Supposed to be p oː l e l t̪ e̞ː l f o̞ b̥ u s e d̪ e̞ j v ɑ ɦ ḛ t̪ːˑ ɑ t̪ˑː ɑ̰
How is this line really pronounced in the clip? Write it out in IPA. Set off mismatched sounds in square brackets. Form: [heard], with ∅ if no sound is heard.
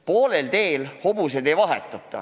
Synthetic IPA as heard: p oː l e l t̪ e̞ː l [h] o̞ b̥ u s e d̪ e̞ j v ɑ ɦ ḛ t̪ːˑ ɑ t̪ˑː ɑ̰